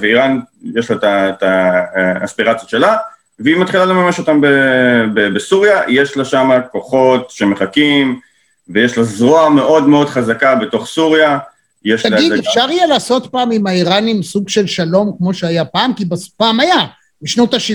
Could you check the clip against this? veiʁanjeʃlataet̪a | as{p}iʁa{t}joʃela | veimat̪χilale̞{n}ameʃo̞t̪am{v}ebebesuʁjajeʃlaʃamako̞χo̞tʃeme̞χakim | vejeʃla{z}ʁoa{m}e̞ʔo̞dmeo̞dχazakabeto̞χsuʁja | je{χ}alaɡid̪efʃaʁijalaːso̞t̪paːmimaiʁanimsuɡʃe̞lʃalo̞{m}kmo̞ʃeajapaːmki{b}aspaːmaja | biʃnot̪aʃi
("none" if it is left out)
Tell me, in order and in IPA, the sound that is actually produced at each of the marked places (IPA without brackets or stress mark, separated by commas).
p, t͡s, m, b, z, m, ʃ, m, b